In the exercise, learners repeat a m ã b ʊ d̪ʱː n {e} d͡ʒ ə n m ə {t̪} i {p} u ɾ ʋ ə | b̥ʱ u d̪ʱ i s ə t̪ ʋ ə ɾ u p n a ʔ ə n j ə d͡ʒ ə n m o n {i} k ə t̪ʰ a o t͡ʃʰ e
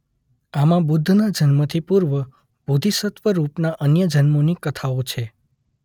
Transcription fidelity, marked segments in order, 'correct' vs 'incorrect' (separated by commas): incorrect, incorrect, correct, correct